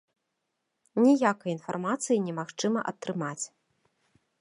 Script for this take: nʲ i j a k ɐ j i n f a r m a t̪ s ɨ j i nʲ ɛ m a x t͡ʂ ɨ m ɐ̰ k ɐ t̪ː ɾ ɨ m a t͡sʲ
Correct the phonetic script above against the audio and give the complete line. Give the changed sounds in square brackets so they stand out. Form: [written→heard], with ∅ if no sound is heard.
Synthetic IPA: nʲ i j a k ɐ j i n f a r m a t̪ s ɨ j i nʲ ɛ m a x t͡ʂ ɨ m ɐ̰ [k→ʔ] ɐ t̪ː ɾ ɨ m a t͡sʲ